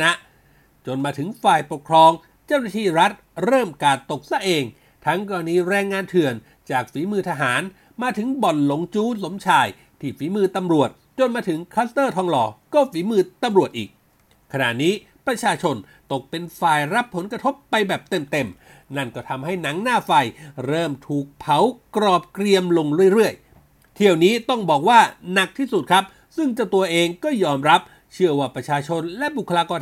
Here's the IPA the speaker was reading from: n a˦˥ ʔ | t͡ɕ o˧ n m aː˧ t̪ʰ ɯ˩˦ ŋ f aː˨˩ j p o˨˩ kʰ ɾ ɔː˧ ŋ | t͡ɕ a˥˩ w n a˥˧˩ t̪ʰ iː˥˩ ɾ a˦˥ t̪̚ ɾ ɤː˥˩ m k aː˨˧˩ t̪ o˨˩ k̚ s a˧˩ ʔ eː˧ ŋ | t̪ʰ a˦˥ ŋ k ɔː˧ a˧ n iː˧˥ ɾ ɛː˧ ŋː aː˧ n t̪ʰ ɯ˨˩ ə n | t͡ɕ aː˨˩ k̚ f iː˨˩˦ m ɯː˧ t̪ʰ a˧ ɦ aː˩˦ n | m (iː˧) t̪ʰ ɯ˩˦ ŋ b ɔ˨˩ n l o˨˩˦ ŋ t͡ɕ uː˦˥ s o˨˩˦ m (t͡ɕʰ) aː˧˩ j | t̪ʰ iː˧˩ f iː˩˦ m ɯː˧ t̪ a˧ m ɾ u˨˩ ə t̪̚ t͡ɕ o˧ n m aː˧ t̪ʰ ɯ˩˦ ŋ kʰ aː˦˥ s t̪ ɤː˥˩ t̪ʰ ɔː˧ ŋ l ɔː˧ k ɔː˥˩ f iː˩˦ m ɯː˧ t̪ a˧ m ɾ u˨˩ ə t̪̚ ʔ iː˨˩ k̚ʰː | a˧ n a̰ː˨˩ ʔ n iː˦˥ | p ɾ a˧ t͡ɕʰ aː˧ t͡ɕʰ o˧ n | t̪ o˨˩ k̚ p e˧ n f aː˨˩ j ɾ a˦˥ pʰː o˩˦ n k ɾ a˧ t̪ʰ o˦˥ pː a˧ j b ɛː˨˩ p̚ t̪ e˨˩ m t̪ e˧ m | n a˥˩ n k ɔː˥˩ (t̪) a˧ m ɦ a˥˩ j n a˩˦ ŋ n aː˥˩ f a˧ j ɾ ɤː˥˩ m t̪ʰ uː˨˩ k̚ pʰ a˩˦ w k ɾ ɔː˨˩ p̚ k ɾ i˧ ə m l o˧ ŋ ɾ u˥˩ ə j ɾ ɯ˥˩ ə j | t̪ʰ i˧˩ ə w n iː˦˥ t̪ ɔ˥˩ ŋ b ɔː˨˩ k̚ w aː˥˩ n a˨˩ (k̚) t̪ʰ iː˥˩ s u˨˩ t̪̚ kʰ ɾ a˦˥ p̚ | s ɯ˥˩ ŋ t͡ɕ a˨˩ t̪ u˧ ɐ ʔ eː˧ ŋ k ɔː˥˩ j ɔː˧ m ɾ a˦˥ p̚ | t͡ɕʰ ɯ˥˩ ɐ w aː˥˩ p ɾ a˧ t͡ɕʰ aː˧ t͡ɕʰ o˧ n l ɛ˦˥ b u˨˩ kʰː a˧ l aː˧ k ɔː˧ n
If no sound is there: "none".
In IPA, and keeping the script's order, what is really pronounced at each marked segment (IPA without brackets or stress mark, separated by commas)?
aː˧, t͡ɕʰ, t̪ʰ, k̚